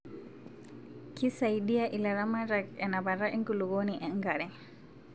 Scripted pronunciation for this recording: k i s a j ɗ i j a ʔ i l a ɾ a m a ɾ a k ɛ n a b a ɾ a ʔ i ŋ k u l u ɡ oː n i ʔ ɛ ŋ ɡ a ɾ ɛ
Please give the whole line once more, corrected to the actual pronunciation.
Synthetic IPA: k i s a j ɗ i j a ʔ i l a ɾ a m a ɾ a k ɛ n a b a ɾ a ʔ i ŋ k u l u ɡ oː n i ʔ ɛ ŋ ɡ a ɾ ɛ